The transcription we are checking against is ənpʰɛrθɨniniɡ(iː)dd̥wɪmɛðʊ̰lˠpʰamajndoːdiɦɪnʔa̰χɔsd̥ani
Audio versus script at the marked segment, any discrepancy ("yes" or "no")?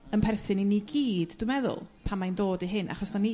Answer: no